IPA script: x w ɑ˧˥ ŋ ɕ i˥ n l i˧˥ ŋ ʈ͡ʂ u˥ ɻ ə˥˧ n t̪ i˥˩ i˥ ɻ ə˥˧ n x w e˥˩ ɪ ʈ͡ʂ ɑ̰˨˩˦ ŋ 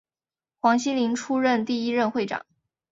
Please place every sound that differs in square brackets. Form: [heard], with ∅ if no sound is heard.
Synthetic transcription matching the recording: x w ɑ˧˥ ŋ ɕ i˥ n l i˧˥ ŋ [ʈ͡ʂʰ] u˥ ɻ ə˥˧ n t̪ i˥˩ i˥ ɻ ə˥˧ n x w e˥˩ ɪ ʈ͡ʂ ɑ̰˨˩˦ ŋ